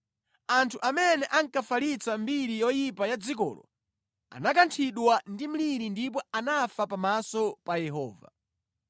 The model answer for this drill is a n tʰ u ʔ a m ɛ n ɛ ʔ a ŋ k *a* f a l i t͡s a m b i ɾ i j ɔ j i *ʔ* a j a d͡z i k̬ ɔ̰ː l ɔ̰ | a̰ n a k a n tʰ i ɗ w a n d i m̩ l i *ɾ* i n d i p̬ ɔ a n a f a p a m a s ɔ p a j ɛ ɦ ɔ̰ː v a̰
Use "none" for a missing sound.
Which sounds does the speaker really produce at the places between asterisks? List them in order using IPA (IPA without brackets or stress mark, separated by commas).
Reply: a, p, ɾ